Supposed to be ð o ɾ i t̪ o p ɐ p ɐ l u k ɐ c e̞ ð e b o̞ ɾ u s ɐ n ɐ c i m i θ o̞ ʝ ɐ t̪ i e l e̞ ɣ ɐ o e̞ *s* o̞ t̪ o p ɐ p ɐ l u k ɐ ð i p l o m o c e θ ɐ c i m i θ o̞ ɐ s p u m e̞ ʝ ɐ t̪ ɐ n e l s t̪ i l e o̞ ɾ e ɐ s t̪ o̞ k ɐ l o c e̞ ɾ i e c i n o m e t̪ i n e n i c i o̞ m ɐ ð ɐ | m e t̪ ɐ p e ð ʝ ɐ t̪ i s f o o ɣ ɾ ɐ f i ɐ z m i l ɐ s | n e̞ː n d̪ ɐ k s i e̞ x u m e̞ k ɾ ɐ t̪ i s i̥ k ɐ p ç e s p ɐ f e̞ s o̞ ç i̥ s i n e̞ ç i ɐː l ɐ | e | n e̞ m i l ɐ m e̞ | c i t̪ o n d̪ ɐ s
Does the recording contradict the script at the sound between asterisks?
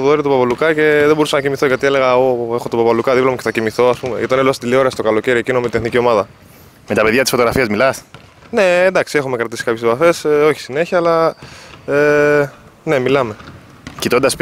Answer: yes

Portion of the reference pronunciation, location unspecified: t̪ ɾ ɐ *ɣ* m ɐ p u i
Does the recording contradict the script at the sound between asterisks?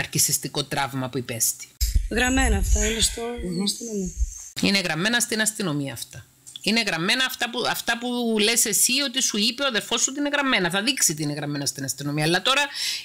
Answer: yes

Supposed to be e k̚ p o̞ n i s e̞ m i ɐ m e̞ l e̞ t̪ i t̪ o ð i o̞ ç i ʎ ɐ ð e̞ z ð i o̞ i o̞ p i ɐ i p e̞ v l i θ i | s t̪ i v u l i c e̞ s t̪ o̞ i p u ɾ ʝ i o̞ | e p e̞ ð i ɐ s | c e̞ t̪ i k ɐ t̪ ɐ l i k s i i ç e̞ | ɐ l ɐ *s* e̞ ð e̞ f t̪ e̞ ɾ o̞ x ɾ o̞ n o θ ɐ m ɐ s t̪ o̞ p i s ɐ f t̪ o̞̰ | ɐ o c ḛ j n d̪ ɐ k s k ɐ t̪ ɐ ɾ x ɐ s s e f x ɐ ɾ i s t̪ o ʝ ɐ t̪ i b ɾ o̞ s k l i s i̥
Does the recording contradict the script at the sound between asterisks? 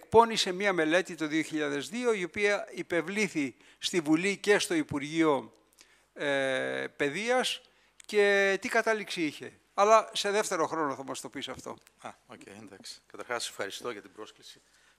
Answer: no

